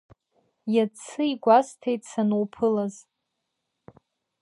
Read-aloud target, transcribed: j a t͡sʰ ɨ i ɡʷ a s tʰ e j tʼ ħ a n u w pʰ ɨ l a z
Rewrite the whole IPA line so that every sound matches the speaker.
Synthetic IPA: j a t͡sʰ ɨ i ɡʷ a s tʰ e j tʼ s a n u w pʰ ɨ l a z